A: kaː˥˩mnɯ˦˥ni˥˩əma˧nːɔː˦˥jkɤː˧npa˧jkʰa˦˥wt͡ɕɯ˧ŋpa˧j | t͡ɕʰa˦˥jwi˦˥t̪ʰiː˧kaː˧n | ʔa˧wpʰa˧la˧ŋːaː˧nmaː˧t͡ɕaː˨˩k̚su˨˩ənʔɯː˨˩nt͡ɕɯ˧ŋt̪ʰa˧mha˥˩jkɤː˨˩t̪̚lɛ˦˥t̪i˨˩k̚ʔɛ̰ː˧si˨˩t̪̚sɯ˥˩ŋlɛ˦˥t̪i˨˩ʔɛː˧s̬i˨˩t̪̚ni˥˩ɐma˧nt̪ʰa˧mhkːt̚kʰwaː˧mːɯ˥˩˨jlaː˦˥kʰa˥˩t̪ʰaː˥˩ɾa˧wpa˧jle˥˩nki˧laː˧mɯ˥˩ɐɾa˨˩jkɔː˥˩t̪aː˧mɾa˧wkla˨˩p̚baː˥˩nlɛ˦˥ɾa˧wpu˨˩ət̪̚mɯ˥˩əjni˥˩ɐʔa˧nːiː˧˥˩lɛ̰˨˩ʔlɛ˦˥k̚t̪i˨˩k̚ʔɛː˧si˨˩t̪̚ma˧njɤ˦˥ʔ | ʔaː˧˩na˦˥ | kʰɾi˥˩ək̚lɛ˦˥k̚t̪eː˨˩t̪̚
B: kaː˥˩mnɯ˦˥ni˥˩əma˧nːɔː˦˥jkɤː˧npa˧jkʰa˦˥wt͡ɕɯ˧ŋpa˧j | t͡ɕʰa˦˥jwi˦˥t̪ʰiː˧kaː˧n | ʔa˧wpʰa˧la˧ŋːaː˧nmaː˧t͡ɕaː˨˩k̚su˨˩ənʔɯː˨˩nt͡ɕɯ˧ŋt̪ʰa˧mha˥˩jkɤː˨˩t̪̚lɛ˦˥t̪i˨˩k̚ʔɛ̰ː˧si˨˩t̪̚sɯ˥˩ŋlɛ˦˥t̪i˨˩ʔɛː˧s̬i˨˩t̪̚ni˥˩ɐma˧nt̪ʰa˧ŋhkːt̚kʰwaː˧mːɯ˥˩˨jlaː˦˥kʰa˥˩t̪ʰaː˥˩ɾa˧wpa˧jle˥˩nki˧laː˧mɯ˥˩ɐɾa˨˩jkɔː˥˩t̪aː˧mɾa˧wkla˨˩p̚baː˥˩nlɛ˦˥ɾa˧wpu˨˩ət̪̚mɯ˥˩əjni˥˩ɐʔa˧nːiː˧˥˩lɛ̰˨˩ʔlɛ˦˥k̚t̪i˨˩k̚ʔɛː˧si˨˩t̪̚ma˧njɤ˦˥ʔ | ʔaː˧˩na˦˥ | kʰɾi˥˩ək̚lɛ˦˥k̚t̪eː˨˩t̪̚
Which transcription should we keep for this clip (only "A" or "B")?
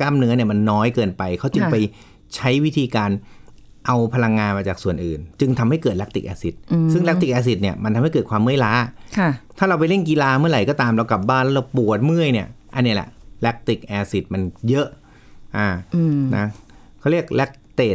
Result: A